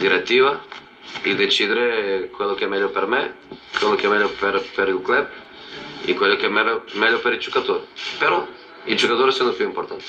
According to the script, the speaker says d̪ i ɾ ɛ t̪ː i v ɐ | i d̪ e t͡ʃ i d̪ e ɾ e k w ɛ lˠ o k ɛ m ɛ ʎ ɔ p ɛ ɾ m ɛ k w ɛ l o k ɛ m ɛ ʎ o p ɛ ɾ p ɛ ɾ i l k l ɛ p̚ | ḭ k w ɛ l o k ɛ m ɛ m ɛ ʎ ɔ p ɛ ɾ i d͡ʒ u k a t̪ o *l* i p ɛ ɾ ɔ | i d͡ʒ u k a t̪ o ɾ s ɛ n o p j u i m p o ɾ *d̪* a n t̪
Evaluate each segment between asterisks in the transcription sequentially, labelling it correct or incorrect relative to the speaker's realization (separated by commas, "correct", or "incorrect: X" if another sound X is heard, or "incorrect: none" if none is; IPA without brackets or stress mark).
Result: incorrect: ɾ, incorrect: t̪